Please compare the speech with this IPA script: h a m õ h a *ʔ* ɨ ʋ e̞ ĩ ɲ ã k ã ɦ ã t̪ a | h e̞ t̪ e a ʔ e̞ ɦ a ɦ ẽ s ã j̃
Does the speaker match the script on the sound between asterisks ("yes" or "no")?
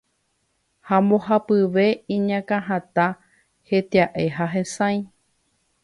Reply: no